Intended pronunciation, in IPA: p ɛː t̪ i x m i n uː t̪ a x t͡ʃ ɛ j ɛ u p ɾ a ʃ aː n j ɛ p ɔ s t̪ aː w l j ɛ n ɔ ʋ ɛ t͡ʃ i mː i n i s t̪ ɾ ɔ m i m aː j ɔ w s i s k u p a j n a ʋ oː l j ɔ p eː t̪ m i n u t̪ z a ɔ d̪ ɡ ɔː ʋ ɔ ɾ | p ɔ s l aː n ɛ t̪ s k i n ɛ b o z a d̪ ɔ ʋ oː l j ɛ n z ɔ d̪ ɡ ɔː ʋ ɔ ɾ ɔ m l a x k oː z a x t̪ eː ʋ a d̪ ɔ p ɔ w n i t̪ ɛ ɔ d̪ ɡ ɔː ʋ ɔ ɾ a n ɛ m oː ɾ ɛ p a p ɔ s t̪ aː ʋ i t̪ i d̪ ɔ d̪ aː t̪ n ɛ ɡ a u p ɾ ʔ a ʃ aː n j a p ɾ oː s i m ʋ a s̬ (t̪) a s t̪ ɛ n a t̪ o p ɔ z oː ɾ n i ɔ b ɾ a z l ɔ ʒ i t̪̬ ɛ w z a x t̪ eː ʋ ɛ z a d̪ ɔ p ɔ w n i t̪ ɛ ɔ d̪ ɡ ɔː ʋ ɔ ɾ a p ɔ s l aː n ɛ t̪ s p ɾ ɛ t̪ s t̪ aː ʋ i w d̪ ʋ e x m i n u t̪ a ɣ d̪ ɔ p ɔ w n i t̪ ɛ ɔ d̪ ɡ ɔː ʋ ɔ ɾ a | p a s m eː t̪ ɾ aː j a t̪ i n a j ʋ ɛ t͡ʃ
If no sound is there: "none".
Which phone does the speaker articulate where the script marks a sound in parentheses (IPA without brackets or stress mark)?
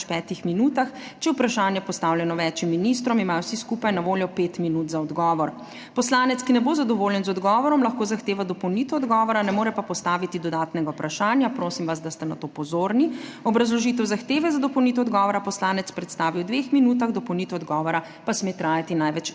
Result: d̪